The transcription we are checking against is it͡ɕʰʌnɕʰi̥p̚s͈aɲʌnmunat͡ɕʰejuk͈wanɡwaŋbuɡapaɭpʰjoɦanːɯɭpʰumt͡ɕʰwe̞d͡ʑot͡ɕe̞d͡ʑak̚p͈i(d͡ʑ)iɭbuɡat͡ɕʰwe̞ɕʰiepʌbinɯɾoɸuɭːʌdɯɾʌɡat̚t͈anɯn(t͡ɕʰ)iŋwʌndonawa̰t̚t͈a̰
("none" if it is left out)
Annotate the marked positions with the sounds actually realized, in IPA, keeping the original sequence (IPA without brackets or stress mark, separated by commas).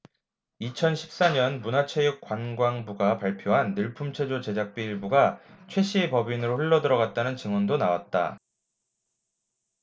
none, t͡ɕ